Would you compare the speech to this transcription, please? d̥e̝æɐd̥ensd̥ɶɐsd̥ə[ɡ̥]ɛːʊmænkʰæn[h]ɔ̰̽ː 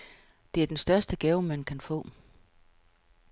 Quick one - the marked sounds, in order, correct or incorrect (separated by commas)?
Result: correct, incorrect